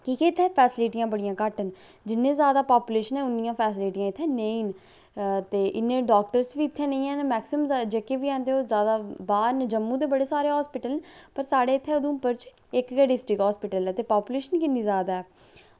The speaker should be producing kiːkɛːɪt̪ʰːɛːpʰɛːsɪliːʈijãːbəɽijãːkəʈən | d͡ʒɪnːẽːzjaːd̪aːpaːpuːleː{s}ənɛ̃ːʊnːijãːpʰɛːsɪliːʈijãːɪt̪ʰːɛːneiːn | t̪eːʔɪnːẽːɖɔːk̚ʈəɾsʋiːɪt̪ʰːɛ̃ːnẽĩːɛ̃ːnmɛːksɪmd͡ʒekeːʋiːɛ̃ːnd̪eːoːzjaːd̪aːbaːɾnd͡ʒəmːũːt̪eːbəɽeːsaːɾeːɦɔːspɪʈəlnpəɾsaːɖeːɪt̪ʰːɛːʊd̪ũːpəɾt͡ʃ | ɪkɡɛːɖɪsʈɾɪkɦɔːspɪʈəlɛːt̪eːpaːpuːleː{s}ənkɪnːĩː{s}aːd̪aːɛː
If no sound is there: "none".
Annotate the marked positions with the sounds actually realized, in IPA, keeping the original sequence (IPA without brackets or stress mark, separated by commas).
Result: ʃ, ʃ, z